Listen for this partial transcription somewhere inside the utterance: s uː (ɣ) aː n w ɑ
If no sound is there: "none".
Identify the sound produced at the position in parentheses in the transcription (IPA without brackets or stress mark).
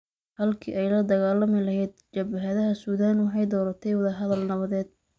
ð